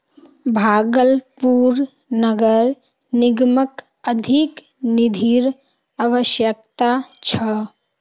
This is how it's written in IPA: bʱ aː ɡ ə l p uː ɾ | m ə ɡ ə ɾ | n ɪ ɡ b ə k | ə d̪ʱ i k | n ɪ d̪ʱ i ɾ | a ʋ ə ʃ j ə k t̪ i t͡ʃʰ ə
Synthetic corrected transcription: bʱ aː ɡ ə l p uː ɾ | n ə ɡ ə ɾ | n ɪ ɡ m ə k | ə d̪ʱ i k | n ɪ d̪ʱ i ɾ | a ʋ ə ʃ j ə k t̪ a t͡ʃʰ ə